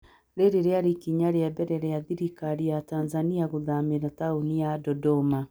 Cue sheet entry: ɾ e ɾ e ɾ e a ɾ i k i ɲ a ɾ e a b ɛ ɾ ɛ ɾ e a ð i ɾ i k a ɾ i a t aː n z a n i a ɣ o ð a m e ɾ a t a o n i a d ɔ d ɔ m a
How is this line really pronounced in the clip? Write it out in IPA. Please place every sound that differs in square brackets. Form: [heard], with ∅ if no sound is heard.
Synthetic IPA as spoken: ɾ e ɾ e ɾ e a ɾ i k i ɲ a ɾ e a b ɛ ɾ ɛ ɾ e a ð i ɾ i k a ɾ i a t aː n z a n i a ɣ o ð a m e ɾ a t a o n i a d ɔ d ɔ m a